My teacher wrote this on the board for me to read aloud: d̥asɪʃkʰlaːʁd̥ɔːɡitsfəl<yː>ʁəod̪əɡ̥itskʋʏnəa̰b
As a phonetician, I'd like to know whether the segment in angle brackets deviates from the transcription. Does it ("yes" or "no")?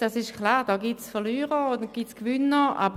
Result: no